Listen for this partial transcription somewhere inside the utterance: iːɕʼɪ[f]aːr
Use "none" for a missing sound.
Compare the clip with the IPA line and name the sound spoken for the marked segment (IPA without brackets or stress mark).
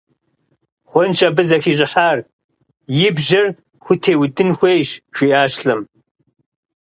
ħ